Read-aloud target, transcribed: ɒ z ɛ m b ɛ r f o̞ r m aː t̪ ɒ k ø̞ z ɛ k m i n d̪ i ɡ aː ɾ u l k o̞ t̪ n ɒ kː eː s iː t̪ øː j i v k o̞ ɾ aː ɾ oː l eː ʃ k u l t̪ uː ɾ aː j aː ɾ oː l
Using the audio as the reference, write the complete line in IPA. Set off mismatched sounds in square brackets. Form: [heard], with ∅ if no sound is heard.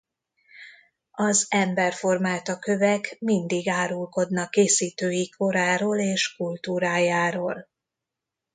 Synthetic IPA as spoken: ɒ z ɛ m b ɛ r f o̞ r m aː t̪ ɒ k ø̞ [v] ɛ k m i n d̪ i ɡ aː ɾ u l k o̞ [d̪] n ɒ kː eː s iː t̪ øː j i [∅] k o̞ ɾ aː ɾ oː l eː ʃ k u l t̪ uː ɾ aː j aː ɾ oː l